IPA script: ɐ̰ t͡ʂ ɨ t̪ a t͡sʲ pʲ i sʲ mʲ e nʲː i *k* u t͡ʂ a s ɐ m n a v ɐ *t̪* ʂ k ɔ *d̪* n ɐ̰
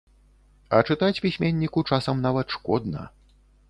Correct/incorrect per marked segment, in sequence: correct, correct, correct

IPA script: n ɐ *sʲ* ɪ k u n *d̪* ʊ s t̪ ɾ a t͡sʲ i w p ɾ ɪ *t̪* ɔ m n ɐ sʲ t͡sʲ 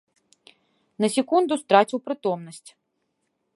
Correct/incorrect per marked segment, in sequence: correct, correct, correct

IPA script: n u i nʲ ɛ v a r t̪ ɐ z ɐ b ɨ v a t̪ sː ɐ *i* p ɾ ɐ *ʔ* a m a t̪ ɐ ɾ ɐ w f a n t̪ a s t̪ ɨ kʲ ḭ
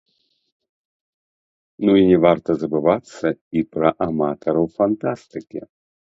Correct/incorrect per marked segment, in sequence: correct, correct

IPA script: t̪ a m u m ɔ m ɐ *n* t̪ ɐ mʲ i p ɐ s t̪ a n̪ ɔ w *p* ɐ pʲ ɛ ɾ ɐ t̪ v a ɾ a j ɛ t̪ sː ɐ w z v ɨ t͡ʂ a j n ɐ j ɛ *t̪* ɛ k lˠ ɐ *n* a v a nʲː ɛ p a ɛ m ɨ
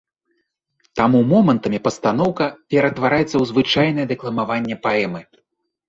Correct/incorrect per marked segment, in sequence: correct, incorrect, incorrect, incorrect

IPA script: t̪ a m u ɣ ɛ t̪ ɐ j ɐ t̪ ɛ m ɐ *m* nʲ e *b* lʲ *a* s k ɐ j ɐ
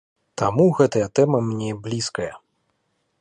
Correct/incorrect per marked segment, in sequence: correct, correct, incorrect

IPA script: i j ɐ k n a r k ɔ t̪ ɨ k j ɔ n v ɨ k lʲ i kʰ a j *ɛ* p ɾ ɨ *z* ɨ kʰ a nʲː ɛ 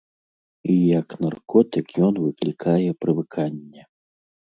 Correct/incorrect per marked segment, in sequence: correct, incorrect

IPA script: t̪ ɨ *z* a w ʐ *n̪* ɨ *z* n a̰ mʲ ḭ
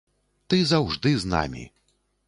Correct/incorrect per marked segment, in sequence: correct, incorrect, correct

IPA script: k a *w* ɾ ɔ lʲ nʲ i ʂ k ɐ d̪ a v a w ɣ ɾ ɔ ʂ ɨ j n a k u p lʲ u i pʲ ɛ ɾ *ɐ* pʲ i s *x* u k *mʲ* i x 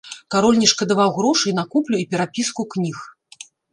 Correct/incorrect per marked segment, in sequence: incorrect, incorrect, incorrect, incorrect

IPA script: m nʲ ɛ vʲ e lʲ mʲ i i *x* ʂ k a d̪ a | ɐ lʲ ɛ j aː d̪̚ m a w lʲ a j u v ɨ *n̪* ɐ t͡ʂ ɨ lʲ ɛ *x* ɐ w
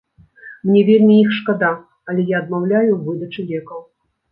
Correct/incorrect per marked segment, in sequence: correct, incorrect, incorrect

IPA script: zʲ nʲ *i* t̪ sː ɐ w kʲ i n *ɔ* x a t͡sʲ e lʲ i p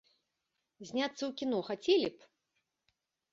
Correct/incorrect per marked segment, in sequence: incorrect, correct

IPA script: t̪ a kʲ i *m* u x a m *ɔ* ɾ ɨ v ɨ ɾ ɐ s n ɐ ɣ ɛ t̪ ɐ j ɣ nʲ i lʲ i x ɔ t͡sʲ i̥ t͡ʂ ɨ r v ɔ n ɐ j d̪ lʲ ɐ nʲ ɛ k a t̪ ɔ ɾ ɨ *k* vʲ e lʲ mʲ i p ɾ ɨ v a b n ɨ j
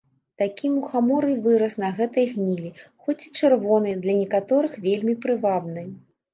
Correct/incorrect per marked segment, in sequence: correct, correct, incorrect

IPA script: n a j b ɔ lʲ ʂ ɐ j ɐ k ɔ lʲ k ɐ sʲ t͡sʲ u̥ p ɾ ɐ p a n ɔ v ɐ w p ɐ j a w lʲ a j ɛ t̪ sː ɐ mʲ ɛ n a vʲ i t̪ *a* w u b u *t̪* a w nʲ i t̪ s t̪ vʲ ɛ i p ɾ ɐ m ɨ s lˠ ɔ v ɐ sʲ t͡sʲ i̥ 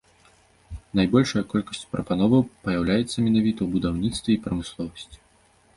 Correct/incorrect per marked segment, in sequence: incorrect, incorrect

